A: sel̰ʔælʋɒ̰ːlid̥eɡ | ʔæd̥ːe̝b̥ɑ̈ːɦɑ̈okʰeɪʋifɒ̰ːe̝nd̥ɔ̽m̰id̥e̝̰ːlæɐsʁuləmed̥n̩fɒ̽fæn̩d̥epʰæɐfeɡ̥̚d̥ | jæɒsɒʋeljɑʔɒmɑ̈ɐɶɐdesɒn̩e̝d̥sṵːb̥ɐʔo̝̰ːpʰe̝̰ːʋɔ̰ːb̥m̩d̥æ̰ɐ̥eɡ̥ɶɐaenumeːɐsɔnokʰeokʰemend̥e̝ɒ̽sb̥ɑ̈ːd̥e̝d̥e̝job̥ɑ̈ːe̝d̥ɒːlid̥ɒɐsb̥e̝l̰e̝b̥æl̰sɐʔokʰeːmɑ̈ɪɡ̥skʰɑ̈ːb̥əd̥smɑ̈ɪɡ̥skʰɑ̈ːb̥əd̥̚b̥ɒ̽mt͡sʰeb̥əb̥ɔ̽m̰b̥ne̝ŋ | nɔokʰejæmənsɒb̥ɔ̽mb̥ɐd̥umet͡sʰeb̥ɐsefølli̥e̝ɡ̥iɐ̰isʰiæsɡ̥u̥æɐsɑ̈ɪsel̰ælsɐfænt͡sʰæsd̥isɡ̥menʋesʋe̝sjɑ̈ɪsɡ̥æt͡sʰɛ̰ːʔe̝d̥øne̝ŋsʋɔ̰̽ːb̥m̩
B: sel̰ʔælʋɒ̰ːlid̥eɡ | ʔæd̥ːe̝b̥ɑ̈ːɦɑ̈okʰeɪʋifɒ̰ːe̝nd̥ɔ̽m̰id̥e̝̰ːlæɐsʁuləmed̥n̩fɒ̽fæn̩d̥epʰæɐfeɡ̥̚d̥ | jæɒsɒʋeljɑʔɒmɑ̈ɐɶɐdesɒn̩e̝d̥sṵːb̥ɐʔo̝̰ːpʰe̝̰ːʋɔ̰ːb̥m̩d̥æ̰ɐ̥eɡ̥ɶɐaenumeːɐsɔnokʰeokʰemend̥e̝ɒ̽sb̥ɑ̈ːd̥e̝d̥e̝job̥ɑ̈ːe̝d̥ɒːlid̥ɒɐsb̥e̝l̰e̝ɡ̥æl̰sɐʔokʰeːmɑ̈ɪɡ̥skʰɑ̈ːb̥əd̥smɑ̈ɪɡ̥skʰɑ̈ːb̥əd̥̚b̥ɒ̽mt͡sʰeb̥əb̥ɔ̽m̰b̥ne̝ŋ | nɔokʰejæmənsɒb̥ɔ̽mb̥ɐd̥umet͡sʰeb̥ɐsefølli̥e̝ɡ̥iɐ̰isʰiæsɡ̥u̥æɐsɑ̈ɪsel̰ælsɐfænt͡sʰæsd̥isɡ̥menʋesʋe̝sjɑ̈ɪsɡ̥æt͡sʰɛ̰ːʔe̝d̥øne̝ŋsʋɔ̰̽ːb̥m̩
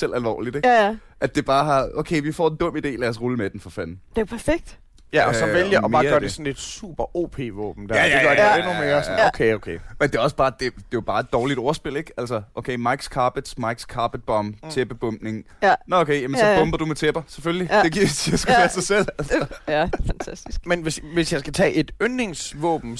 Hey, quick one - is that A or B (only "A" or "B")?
B